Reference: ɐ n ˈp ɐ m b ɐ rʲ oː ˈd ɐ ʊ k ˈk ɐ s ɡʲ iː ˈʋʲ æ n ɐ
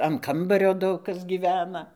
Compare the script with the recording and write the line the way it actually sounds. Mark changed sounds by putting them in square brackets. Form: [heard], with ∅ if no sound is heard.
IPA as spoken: ɐ n [ˈk] ɐ m b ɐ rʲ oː ˈd ɐ ʊ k ˈk ɐ s ɡʲ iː ˈʋʲ [æː] n ɐ